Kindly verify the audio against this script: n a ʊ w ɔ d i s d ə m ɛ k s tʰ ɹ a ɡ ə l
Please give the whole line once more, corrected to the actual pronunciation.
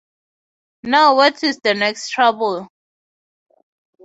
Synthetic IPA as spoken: n a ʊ w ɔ t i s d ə n ɛ k s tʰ ɹ a b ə l